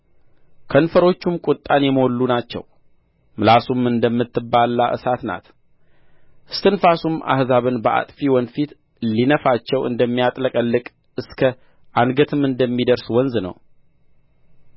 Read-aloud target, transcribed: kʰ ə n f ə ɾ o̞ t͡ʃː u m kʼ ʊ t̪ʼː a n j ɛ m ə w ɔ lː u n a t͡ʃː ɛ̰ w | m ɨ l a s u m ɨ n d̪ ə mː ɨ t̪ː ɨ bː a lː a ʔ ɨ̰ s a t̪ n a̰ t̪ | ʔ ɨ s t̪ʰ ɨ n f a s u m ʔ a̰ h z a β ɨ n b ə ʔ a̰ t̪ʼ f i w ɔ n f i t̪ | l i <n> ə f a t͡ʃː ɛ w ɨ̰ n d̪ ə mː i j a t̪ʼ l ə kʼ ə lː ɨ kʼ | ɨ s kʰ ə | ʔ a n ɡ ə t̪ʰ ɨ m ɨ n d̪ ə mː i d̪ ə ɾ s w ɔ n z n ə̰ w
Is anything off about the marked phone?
no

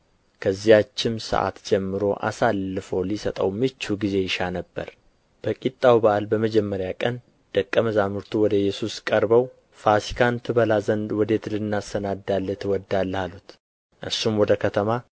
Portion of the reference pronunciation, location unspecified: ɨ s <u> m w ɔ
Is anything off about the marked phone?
no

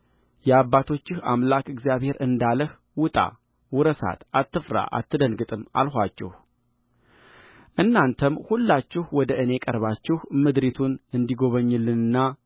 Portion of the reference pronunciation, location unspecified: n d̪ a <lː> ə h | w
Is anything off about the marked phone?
yes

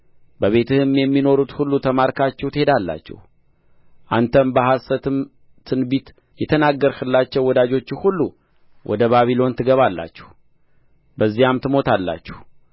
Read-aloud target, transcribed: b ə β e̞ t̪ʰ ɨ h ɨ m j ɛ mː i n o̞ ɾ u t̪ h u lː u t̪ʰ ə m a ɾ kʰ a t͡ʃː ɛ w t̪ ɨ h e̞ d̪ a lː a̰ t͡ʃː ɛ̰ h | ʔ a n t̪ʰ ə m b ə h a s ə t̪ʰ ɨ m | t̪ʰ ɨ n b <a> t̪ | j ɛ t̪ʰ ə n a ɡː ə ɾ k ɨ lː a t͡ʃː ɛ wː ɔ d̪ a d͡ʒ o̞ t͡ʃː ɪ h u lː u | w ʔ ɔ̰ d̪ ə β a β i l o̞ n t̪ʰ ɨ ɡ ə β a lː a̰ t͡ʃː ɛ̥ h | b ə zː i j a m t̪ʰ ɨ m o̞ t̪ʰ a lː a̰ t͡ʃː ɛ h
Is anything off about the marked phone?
yes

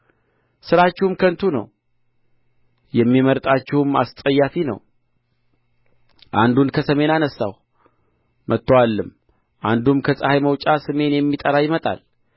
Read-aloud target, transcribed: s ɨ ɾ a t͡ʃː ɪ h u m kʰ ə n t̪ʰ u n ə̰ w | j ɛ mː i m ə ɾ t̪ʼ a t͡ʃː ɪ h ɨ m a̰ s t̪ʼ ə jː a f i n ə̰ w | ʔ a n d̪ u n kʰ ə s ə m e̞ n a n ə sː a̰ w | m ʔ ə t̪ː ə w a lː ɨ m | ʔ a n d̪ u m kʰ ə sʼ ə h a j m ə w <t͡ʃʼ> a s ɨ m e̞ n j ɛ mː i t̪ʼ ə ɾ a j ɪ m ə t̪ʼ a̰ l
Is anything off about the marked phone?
no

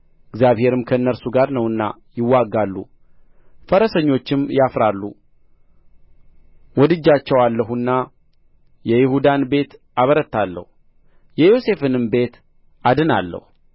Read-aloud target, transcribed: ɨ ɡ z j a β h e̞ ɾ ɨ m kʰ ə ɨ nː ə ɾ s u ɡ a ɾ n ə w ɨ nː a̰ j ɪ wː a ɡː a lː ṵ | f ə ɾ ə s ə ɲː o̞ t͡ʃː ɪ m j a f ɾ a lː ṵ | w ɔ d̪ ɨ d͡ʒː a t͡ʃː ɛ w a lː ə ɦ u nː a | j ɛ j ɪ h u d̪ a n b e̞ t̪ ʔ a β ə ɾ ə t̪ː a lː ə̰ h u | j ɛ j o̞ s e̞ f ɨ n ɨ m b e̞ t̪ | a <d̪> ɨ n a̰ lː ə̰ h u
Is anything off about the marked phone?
no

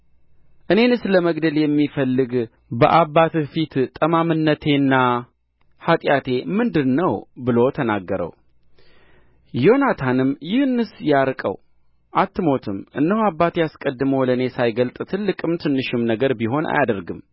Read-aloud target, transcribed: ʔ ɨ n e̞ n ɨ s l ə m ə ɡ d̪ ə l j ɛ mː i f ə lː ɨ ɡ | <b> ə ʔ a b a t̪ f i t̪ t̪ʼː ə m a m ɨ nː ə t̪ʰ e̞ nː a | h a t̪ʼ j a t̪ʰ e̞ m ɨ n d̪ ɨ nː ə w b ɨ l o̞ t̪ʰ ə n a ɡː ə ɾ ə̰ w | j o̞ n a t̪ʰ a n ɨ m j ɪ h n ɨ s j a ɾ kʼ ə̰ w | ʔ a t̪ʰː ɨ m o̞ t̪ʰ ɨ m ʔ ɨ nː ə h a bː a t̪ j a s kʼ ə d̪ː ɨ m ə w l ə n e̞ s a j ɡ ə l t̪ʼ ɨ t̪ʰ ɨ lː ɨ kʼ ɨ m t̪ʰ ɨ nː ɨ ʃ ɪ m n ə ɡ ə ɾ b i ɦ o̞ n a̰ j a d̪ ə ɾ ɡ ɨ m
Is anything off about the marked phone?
no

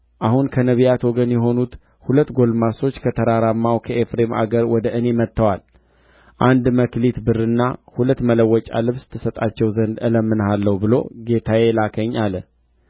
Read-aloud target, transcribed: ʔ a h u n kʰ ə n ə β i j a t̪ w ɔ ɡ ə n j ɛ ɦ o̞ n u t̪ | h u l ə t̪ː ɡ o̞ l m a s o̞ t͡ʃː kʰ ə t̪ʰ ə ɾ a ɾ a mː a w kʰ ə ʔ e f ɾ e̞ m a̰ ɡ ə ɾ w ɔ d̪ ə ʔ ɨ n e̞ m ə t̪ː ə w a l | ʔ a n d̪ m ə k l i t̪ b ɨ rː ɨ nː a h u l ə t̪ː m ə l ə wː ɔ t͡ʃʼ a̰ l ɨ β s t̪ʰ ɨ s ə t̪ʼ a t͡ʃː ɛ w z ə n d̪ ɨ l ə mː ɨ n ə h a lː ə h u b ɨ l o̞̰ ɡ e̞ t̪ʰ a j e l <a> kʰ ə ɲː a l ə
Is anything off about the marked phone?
no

